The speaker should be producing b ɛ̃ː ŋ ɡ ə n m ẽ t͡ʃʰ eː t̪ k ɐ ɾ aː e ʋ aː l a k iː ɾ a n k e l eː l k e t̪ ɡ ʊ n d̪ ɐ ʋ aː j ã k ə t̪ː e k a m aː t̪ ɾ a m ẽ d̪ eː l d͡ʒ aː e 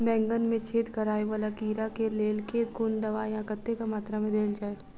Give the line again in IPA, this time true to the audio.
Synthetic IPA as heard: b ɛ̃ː ŋ ɡ ə n m ẽ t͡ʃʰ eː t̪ k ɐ ɾ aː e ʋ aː l a k iː ɾ a k e l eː l k e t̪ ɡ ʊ n d̪ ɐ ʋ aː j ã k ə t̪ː e k a m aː t̪ ɾ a m ẽ d̪ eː l d͡ʒ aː e